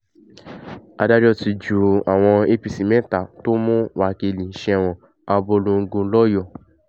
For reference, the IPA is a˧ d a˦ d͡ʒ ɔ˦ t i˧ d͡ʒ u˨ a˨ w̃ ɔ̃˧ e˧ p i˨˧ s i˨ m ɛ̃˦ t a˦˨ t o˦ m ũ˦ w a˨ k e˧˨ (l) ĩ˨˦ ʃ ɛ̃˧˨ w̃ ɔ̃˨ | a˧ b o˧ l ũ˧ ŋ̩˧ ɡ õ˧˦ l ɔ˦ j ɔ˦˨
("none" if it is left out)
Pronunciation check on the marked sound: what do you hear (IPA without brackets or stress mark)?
l